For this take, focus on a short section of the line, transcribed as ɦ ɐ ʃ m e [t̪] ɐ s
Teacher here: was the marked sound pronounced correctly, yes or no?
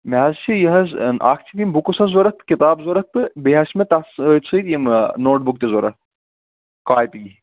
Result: yes